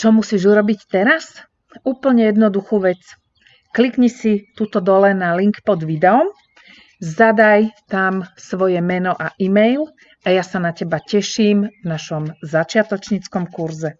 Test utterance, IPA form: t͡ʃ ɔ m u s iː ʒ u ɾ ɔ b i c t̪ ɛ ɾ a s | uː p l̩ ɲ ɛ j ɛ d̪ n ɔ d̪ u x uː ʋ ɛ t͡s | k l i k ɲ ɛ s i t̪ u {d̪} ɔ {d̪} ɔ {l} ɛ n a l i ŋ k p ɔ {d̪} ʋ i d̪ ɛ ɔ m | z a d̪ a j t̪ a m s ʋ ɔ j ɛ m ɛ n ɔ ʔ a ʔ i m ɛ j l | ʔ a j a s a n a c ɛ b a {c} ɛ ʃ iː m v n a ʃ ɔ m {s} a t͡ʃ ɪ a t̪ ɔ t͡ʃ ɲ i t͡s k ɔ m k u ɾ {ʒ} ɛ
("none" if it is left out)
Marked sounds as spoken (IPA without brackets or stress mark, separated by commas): t̪, d̪, l, d̪, c, z, z